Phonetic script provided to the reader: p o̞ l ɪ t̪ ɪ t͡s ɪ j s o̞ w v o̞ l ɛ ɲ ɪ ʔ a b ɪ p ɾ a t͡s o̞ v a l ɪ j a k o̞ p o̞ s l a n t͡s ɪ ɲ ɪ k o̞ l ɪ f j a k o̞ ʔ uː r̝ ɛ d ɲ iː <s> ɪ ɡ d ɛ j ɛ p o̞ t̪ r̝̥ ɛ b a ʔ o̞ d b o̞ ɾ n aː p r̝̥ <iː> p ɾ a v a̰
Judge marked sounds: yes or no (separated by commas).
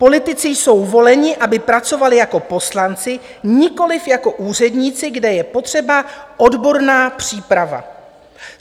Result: no, yes